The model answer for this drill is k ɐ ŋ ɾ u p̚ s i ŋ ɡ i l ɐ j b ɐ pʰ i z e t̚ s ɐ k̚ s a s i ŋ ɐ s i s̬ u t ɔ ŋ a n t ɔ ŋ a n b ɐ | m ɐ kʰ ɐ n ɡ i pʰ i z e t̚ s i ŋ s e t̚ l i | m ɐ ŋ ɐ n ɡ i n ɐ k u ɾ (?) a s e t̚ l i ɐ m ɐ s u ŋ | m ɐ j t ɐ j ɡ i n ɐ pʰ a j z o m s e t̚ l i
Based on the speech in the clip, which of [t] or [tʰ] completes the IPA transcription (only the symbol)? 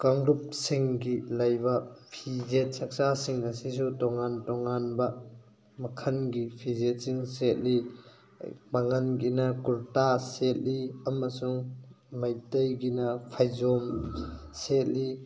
t